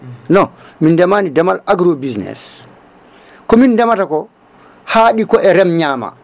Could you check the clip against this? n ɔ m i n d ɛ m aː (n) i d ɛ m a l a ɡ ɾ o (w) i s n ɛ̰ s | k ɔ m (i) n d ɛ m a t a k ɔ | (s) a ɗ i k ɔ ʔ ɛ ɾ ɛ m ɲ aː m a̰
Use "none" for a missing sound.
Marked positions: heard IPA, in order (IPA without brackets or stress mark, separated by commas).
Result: n, b, i, h